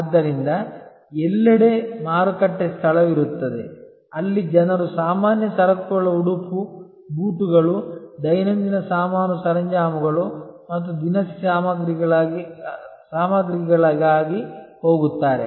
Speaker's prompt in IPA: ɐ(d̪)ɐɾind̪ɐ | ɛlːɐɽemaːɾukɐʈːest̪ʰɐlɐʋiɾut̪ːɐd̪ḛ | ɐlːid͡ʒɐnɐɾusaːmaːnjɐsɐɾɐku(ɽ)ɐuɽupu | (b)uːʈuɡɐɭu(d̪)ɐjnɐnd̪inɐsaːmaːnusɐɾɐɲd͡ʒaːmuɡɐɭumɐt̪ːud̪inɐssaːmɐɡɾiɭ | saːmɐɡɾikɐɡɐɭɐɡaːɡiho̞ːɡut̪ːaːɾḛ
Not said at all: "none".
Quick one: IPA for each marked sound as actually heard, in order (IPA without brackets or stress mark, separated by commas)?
d̪ː, ɭ, b, d̪